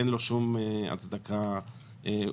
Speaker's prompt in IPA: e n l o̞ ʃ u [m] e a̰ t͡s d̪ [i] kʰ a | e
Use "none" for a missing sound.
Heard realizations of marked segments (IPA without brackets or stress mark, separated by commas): m, a